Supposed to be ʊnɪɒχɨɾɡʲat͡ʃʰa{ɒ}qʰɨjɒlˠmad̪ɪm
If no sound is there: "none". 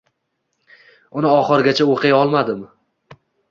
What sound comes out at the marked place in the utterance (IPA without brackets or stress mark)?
o